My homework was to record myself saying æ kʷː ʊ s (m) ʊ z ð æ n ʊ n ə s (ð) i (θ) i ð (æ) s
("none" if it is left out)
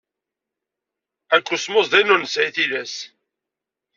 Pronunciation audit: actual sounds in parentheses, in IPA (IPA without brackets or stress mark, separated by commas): m, ʕ, θ, æ